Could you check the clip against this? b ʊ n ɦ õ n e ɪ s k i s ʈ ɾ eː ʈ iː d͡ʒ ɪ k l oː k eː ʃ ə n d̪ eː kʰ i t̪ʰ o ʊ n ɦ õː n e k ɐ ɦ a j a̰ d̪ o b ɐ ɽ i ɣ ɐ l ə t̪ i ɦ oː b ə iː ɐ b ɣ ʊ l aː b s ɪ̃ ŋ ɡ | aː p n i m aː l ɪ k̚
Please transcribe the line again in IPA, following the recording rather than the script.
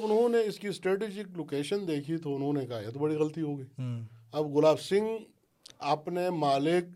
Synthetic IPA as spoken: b ʊ n ɦ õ n e ɪ s k i s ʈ ɾ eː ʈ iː d͡ʒ ɪ k l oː k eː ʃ ə n d̪ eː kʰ i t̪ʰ o ʊ n ɦ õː n e k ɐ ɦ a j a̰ t̪ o b ɐ ɽ i ɣ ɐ l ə t̪ i ɦ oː ɡ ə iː ɐ b ɣ ʊ l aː b s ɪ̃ ŋ ɡ | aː p n e m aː l ɪ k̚